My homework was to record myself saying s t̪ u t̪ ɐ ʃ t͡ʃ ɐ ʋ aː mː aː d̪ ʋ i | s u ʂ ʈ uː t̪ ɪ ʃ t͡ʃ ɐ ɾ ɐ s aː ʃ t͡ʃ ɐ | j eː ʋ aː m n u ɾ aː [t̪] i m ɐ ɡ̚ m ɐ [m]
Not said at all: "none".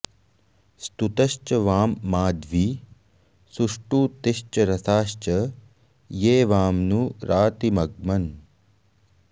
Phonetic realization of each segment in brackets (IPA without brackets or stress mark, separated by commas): t̪, n